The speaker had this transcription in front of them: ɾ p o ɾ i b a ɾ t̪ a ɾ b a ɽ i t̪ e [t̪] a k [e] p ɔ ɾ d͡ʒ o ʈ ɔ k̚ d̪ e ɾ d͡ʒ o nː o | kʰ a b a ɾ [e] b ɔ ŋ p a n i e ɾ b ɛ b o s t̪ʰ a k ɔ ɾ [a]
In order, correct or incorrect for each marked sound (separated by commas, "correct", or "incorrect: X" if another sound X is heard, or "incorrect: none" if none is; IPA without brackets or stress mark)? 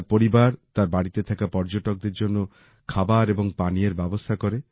incorrect: t̪ʰ, incorrect: a, correct, incorrect: e